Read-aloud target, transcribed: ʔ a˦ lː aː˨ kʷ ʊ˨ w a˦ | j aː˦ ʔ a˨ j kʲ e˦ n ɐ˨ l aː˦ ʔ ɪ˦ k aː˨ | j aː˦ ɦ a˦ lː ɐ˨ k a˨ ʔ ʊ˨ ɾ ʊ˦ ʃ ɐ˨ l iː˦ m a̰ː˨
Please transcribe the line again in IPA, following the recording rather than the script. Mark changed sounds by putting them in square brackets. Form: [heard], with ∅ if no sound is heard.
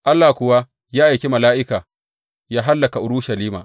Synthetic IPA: ʔ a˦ lː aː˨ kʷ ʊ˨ w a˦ | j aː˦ ʔ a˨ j kʲ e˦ [m] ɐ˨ l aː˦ ʔ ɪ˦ k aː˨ | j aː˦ ɦ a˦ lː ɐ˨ k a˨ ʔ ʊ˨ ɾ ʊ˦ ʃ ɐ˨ l iː˦ m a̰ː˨